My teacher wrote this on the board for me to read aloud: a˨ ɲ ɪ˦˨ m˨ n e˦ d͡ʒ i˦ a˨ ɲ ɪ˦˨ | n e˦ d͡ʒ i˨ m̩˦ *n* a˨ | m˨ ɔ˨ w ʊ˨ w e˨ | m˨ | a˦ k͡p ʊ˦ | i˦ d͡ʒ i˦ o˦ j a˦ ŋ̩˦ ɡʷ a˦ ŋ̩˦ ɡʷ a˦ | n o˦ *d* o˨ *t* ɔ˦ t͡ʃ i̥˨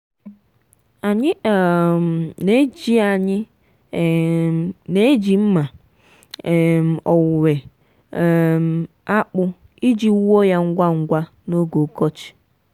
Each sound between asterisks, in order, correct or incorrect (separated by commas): incorrect, incorrect, incorrect